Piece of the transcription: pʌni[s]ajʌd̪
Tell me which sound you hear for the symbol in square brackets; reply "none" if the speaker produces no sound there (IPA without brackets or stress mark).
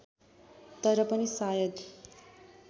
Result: s